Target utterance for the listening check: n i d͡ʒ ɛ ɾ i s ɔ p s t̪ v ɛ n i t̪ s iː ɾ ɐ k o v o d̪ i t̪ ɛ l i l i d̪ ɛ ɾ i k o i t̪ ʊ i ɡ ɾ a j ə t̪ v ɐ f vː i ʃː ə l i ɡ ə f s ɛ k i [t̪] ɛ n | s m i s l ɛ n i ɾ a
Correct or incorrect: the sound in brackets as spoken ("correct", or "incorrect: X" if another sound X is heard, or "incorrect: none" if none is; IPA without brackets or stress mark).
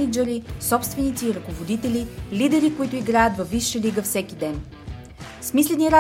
incorrect: d̪